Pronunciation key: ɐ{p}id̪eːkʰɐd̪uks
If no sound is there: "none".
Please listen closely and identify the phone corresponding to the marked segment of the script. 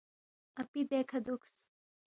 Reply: p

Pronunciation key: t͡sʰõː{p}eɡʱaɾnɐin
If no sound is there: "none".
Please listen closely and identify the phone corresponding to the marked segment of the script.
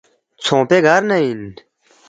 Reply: p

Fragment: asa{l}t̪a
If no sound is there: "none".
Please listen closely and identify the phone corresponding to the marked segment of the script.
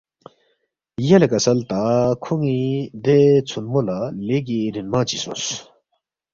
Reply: l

